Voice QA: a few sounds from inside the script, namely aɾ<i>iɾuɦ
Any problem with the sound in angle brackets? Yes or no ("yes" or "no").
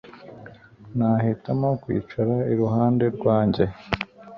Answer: yes